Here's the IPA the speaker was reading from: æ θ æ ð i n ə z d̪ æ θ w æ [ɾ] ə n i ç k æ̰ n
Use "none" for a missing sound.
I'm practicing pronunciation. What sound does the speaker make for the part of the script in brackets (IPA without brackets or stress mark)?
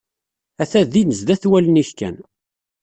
l